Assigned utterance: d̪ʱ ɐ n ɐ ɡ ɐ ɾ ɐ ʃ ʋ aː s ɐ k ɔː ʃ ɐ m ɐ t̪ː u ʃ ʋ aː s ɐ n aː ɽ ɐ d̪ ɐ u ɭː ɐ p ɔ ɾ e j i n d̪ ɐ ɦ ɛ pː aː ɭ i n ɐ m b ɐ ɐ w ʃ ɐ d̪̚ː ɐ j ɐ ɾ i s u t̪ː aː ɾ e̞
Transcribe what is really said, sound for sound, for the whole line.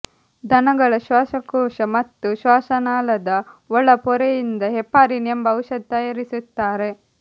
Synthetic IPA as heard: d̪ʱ ɐ n ɐ ɡ ɐ ɭ ɐ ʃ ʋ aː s ɐ k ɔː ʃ ɐ m ɐ t̪ː u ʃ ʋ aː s ɐ n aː l ɐ d̪ ɐ ɔ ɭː ɐ p ɔ ɾ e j i n d̪ ɐ ɦ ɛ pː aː ɾ i n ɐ m b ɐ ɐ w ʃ ɐ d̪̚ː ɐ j ɐ ɾ i s u t̪ː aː ɾ e̞